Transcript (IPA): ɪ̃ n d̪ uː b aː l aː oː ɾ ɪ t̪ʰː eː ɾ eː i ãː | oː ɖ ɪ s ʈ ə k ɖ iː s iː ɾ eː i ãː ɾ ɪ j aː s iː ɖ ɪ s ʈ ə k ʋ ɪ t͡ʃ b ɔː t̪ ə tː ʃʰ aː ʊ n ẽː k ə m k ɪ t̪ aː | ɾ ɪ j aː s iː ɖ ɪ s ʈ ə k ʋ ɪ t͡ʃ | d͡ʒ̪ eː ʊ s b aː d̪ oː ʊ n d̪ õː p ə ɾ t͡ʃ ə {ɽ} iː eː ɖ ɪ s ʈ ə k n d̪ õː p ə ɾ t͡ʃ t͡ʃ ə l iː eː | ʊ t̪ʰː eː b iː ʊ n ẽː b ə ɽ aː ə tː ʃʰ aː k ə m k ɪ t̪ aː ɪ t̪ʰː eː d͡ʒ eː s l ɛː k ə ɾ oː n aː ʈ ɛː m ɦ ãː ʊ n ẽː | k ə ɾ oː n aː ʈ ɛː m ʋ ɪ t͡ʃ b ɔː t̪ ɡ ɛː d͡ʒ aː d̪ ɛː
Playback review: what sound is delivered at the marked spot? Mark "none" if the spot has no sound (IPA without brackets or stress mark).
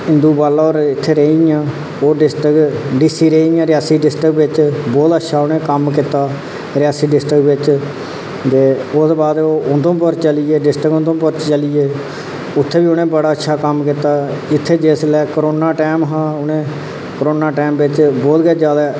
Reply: l